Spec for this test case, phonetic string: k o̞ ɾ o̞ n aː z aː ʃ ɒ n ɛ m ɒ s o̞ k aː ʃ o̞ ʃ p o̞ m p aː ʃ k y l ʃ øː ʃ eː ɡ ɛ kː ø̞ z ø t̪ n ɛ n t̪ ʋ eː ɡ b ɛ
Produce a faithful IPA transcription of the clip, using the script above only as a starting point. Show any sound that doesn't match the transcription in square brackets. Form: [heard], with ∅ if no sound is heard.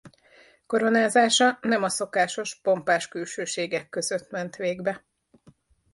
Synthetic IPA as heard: k o̞ ɾ o̞ n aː z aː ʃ ɒ n ɛ m ɒ s o̞ k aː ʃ o̞ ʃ p o̞ m p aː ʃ k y l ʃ øː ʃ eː ɡ ɛ kː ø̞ z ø t̪ [m] ɛ n t̪ ʋ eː ɡ b ɛ